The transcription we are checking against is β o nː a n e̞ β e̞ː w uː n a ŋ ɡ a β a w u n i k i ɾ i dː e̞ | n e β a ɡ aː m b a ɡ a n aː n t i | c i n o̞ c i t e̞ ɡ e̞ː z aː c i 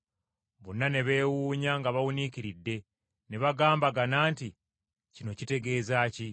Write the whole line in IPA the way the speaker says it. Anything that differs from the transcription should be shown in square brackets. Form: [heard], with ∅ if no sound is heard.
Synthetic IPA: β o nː a n e̞ β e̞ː w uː [ɲ] a ŋ ɡ a β a w u n i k i ɾ i dː e̞ | n e β a ɡ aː m b a ɡ a n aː n t i | c i n o̞ c i t e̞ ɡ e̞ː z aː c i